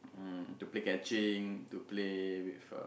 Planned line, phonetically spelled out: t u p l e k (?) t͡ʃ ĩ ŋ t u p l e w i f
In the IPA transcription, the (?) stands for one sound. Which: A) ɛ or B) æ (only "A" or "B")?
A